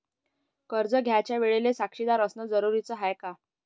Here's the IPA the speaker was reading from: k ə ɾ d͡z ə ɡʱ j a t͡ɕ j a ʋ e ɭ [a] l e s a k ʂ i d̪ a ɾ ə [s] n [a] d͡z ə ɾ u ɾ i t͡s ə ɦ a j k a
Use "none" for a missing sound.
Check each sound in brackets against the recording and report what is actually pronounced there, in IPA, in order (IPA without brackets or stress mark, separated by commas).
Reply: e, s, ə